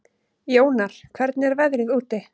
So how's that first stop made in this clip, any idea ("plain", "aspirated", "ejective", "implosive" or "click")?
aspirated